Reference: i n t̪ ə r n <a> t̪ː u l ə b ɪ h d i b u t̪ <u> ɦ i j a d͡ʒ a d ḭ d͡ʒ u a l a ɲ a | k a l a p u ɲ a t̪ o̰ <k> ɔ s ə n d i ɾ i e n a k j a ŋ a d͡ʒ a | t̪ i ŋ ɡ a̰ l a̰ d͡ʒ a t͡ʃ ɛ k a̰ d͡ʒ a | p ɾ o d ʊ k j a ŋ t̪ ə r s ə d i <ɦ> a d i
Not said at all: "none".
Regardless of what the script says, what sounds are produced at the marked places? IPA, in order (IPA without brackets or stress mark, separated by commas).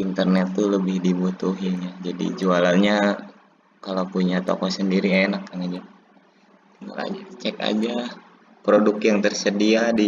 ɛ, u, k, none